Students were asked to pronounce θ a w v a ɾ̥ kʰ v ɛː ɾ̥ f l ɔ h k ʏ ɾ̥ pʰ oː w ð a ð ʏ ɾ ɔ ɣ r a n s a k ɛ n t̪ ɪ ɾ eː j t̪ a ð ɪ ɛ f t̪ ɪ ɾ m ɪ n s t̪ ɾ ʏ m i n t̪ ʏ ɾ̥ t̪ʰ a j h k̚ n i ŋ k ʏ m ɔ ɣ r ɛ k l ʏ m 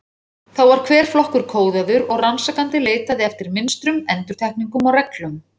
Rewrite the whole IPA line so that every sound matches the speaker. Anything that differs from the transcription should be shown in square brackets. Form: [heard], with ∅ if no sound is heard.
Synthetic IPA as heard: θ a w v a ɾ̥ kʰ v ɛː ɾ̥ f l ɔ h k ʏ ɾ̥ [kʰ] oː w ð a ð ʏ ɾ ɔ ɣ r a n s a k [a] n t̪ ɪ [l] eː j t̪ a ð ɪ ɛ f t̪ ɪ ɾ m ɪ n s t̪ ɾ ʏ m [ɛ] n t̪ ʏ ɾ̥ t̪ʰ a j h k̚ n i ŋ k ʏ m ɔ ɣ r ɛ k l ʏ m